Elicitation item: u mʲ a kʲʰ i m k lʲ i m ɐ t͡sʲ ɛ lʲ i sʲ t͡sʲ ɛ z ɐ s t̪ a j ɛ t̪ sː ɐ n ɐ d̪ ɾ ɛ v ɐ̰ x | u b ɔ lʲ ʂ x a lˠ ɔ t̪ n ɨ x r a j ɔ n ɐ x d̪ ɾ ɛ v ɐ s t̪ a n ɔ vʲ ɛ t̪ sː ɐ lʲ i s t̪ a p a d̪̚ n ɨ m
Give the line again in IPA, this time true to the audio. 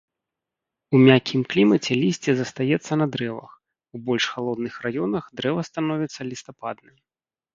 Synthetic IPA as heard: u mʲ a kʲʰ i m k lʲ i m ɐ t͡sʲ ɛ lʲ i sʲ t͡sʲ ɛ z ɐ s t̪ a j ɛ t̪ sː ɐ n ɐ d̪ ɾ ɛ v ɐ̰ x | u b ɔ lʲ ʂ x a lˠ ɔ d̪ n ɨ x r a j ɔ n ɐ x d̪ ɾ ɛ v ɐ s t̪ a n ɔ vʲ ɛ t̪ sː ɐ lʲ i s t̪ a p a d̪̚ n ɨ m